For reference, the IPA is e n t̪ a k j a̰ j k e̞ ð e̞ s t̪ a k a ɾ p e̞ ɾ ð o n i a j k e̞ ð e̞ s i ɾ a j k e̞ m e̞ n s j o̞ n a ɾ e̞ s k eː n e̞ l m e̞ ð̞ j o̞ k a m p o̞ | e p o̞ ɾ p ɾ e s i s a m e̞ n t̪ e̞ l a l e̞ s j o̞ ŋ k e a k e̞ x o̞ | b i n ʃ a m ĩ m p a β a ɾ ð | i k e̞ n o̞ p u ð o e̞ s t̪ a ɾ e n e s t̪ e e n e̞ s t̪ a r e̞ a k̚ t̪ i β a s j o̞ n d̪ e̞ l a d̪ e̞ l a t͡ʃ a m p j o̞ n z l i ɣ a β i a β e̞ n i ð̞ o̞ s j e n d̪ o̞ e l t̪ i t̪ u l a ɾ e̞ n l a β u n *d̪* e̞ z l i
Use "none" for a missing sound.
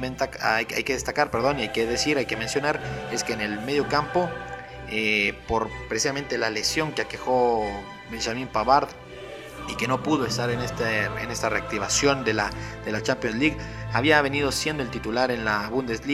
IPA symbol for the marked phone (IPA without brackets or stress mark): d̪